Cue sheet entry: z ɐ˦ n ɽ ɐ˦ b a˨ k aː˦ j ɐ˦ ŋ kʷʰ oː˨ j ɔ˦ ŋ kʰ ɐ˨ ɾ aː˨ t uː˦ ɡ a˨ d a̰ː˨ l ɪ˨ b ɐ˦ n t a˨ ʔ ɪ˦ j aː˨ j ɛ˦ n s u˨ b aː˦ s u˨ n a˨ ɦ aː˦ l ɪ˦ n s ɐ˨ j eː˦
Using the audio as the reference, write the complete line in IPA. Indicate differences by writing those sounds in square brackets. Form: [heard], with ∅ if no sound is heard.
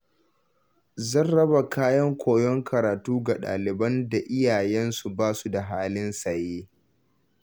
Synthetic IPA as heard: z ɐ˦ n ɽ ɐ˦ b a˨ k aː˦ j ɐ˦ ŋ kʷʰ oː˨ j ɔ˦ ŋ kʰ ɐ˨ ɾ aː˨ t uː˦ ɡ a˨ [ɗ] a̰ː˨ l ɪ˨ b ɐ˦ n [d] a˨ ʔ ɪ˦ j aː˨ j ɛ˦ n s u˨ b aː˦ s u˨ [d] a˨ ɦ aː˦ l ɪ˦ n s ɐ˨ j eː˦